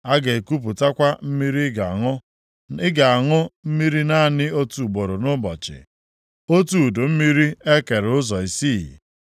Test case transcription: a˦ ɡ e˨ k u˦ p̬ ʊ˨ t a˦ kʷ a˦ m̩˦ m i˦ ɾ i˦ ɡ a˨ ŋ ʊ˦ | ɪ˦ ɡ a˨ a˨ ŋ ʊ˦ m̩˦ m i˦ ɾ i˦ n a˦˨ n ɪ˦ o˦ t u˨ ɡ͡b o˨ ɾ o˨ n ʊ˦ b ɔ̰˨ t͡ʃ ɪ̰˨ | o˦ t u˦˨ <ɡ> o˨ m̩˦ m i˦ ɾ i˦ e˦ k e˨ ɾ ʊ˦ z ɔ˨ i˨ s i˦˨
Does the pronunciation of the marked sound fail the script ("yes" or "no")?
yes